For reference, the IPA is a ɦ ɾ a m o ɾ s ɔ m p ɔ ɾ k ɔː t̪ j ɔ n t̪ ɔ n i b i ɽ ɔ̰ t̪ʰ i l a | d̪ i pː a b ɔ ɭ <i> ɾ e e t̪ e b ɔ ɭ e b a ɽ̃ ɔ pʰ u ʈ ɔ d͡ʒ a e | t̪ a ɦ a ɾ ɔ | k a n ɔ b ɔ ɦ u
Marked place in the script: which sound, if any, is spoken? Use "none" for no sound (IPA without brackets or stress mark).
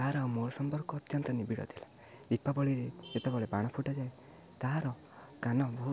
i